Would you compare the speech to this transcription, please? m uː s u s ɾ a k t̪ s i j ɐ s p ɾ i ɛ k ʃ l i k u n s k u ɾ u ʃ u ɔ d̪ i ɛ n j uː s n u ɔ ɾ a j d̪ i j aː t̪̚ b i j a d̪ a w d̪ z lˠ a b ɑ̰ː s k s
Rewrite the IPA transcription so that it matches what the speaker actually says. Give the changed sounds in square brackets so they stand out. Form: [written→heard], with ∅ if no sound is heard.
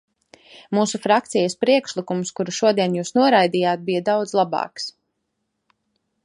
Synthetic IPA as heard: m uː s u [s→f] ɾ a k t̪ s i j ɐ s p ɾ i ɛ k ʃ l i k u [n→m] s k u ɾ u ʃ u ɔ d̪ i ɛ n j uː s n u ɔ ɾ a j d̪ i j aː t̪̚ b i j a d̪ a w d̪ z lˠ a b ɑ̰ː [s→∅] k s